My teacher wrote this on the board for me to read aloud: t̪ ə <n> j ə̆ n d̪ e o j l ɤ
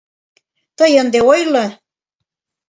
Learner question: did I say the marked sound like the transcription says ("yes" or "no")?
no